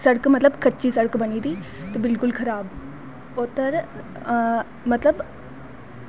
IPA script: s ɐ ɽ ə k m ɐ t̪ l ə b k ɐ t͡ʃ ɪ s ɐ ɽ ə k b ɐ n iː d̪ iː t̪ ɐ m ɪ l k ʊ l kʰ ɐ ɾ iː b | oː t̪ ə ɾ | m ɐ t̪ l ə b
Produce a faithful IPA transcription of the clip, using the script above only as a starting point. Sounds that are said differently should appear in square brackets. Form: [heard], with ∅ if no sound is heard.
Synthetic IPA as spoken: s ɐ ɽ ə k m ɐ t̪ l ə b k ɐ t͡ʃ [i] s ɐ ɽ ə k b ɐ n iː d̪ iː t̪ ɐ [b] ɪ l k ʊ l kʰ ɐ ɾ [aː] b | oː t̪ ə ɾ | m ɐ t̪ l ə b